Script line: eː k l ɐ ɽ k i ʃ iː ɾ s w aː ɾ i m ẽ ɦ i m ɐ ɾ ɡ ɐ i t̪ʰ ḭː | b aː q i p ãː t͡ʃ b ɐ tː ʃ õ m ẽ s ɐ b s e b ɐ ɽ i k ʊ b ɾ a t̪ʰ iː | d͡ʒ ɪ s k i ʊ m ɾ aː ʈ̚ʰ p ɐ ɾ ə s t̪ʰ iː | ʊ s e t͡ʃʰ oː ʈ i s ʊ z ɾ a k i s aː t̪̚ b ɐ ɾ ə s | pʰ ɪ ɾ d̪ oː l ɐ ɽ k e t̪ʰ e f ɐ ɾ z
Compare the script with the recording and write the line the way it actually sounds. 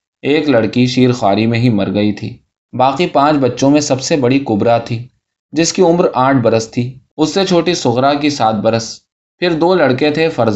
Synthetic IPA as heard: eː k l ɐ ɽ k i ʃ iː ɾ x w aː ɾ i m ẽ ɦ i m ɐ ɾ ɡ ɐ i t̪ʰ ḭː | b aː q i p ãː t͡ʃ b ɐ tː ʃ õ m ẽ s ɐ b s e b ɐ ɽ i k ʊ b ɾ a t̪ʰ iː | d͡ʒ ɪ s k i ʊ m ɾ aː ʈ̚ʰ b ɐ ɾ ə s t̪ʰ iː | ʊ sː e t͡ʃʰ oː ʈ i s ʊ ɣ ɾ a k i s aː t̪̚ b ɐ ɾ ə s | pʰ ɪ ɾ d̪ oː l ɐ ɽ k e t̪ʰ e f ɐ ɾ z